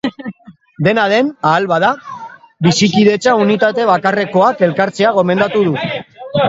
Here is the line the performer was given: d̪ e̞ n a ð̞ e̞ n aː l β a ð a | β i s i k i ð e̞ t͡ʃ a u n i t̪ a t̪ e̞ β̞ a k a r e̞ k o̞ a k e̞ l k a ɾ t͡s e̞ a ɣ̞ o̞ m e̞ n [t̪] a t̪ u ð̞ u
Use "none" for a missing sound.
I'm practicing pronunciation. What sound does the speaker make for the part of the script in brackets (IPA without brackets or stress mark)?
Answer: d̪